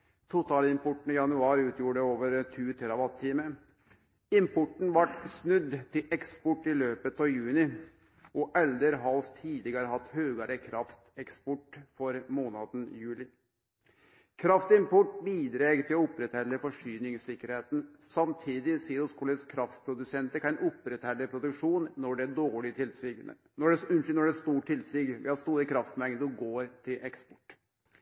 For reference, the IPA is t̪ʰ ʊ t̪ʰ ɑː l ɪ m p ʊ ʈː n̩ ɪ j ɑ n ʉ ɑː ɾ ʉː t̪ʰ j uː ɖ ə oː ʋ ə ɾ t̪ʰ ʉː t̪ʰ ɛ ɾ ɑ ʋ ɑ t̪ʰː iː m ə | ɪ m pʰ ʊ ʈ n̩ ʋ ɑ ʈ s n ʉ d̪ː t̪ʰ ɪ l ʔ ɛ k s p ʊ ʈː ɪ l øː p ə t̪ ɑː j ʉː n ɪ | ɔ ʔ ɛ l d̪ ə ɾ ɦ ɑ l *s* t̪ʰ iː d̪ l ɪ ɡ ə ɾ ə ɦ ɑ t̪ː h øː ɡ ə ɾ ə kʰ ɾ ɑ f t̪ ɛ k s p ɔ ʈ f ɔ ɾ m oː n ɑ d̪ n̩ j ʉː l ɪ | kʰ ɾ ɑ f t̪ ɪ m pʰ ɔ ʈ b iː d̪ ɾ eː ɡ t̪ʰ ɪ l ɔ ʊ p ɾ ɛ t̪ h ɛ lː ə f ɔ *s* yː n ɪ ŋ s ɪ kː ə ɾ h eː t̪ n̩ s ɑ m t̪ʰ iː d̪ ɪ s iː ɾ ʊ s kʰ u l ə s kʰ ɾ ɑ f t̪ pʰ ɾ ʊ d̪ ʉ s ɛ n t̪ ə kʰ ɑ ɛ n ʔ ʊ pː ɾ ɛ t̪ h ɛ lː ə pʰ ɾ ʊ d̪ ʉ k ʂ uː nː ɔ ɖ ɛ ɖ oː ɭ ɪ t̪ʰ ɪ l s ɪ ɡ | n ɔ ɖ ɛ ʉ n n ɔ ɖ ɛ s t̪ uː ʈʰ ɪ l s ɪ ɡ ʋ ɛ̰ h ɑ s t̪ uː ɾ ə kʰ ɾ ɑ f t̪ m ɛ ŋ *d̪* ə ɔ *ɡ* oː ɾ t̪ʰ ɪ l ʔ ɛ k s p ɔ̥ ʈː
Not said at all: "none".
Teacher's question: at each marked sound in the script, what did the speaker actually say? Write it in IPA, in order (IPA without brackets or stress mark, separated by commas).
s, ʂ, d̪, ɡ